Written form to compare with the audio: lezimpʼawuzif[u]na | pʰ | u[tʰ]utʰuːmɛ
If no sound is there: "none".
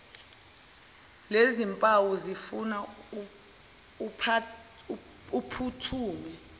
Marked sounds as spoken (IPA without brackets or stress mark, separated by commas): u, pʰ